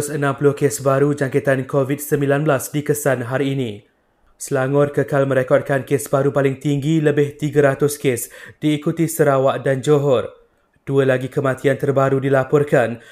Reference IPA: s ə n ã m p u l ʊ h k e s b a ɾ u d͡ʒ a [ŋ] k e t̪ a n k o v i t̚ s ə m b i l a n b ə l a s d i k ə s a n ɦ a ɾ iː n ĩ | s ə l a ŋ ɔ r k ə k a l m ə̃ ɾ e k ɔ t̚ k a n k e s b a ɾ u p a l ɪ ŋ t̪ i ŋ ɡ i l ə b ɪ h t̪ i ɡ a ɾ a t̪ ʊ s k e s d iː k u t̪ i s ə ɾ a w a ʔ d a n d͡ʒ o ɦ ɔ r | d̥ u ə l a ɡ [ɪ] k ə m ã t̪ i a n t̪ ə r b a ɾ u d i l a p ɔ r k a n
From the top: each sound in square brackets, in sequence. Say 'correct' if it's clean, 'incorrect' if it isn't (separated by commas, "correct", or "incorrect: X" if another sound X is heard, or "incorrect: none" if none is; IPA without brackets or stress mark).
correct, incorrect: i